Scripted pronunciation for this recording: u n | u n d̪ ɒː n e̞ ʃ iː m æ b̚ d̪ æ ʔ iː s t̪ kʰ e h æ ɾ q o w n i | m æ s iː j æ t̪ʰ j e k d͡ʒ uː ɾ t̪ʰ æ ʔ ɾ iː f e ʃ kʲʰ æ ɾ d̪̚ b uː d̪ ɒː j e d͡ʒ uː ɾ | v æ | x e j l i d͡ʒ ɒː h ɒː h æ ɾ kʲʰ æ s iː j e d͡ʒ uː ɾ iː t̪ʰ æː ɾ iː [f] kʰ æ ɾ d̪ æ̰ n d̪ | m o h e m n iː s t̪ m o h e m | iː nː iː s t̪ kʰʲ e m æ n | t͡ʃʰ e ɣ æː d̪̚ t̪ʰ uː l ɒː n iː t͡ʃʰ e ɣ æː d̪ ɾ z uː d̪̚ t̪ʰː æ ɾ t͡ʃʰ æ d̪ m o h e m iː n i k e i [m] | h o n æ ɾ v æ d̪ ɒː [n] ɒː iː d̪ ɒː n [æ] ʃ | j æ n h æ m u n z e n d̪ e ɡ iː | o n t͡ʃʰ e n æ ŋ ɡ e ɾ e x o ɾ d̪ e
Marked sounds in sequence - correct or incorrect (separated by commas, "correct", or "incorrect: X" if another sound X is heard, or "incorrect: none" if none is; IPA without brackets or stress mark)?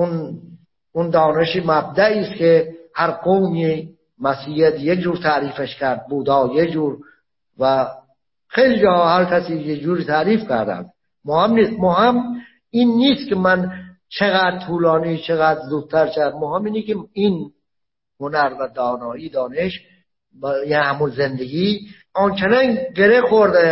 correct, incorrect: n, correct, incorrect: e